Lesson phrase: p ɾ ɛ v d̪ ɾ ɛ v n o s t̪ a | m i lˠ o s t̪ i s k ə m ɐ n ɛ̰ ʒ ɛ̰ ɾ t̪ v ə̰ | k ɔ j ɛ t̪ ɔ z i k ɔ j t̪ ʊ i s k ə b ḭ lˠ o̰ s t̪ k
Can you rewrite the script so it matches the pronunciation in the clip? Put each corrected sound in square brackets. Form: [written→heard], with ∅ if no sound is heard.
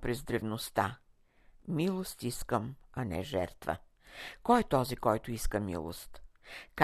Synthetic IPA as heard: p ɾ ɛ [v→z] d̪ ɾ ɛ v n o s t̪ a | m i lˠ o s t̪ i s k ə m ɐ n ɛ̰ ʒ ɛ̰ ɾ t̪ v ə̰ | k ɔ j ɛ t̪ ɔ z i k ɔ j t̪ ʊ i s k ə [b→m] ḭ lˠ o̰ s t̪ k